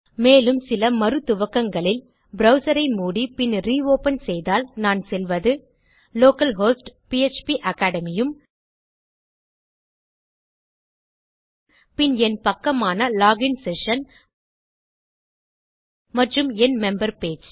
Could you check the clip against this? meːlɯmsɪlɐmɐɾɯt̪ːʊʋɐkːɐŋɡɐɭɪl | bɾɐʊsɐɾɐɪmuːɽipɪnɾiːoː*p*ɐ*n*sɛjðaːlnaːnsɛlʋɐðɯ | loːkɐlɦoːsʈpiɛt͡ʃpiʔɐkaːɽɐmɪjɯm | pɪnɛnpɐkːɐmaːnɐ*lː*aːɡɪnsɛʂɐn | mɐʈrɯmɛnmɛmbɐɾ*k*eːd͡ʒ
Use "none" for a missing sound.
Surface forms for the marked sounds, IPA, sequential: p, n, l, p

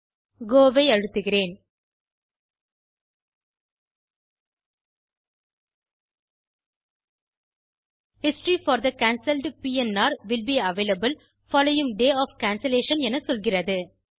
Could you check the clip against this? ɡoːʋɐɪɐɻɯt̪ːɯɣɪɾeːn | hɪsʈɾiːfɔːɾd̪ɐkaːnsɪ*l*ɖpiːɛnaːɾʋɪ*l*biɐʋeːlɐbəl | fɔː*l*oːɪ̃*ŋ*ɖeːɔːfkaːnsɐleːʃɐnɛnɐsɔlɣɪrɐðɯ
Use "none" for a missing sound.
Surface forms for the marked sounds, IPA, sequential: l, l, l, ŋ

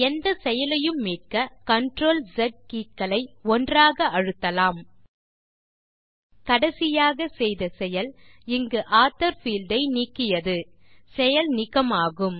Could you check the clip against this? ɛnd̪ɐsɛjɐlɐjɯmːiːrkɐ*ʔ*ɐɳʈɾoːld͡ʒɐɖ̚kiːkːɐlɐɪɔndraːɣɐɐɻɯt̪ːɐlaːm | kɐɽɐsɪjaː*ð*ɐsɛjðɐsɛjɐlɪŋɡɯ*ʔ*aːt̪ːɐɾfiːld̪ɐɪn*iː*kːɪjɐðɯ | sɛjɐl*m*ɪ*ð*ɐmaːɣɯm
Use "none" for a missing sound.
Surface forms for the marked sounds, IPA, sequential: k, ɣ, ʔ, iː, n, ɣ

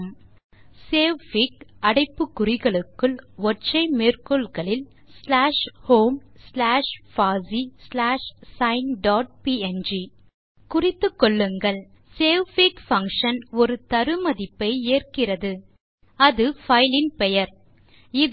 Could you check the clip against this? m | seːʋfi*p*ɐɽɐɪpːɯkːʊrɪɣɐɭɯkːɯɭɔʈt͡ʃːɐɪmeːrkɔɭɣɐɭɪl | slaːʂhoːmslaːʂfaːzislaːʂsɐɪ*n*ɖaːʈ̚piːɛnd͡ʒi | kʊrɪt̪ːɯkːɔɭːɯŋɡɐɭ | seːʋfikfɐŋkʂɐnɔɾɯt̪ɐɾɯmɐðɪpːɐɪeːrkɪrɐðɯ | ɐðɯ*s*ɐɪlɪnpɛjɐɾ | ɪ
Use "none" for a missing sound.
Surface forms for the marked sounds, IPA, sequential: k, n, f

